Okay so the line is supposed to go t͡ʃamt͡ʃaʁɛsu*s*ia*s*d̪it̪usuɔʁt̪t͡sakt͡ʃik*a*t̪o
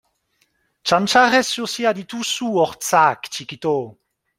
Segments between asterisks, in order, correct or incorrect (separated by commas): correct, incorrect, incorrect